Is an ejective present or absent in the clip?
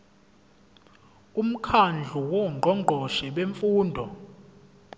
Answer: absent